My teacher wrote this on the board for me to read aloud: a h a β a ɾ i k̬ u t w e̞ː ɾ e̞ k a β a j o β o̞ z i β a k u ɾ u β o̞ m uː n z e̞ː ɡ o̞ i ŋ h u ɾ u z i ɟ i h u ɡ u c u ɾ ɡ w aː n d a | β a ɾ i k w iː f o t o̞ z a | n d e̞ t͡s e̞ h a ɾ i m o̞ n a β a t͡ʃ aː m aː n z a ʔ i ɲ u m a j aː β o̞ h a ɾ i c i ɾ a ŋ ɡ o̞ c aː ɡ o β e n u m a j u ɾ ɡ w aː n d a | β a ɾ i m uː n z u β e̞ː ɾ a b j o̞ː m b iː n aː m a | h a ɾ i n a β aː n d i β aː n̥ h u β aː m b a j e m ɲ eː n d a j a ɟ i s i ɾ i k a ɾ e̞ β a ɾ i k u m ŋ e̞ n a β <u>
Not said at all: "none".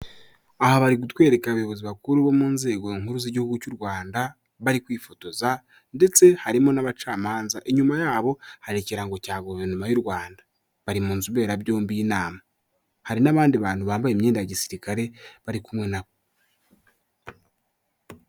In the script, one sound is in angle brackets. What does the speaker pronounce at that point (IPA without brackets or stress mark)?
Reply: o